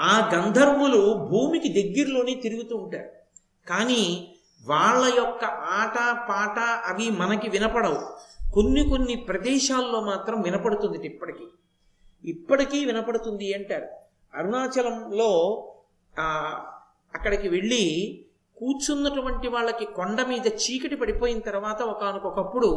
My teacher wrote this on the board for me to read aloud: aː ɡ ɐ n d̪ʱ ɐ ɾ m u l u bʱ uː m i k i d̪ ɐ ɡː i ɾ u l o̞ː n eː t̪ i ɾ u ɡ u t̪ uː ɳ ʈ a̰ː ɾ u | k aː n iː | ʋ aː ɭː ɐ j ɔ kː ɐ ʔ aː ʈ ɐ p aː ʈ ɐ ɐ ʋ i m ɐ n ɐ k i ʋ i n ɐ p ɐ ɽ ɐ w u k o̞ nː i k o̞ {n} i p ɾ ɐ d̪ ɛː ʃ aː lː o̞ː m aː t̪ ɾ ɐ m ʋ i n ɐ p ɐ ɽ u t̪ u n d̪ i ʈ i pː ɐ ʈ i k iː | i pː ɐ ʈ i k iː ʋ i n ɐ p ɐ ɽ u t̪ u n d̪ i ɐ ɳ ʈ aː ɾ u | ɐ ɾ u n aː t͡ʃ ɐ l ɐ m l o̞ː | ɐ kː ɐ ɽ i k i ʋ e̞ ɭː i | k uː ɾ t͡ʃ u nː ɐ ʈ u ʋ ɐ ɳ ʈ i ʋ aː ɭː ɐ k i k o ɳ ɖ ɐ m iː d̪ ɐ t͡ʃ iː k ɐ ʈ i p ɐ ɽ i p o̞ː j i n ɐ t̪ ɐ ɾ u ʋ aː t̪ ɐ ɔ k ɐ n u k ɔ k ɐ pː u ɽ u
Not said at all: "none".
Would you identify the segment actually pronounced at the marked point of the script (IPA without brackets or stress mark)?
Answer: nː